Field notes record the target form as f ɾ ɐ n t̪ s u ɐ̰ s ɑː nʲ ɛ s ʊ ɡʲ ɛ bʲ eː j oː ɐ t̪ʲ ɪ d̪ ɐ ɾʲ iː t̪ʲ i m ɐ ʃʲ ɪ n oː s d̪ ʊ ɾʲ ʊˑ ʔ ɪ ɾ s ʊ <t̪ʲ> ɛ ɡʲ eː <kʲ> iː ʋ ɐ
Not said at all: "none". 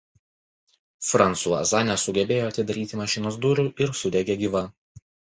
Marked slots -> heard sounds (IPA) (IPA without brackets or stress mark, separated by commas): d̪ʲ, ɡʲ